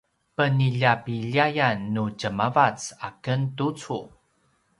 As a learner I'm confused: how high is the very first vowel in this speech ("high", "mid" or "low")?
mid